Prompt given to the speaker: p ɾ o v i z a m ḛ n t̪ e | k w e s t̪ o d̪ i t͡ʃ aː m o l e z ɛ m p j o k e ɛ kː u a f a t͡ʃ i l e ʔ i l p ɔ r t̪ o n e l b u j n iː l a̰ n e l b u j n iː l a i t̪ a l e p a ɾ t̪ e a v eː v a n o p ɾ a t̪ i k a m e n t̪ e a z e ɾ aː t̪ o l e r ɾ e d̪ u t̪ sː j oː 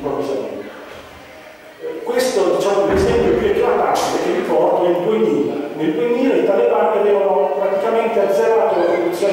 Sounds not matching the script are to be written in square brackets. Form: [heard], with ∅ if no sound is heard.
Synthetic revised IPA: p ɾ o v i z a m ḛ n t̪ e | k w e s t̪ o d̪ i t͡ʃ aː m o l e z ɛ m p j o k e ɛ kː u a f a t͡ʃ i l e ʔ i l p ɔ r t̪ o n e l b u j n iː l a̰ n e l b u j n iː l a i t̪ a l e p a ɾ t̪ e a v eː v a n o p ɾ a t̪ i k a m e n t̪ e a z e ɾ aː t̪ o l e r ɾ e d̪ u t̪ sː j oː